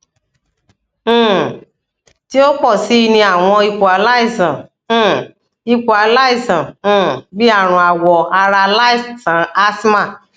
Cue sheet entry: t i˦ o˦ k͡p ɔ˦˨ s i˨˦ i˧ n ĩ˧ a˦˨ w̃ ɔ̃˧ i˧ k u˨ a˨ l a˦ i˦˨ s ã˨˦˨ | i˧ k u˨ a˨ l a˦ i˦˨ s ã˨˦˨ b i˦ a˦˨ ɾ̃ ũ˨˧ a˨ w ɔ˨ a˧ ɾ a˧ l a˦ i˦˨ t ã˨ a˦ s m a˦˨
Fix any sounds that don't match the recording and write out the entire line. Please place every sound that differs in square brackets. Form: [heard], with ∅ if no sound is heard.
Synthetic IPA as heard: t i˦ o˦ k͡p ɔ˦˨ s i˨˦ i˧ n ĩ˧ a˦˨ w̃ ɔ̃˧ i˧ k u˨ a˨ l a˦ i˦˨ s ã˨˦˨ | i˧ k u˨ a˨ l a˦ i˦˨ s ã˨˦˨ b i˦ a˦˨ ɾ̃ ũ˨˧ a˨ w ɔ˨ a˧ ɾ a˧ l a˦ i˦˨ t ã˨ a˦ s m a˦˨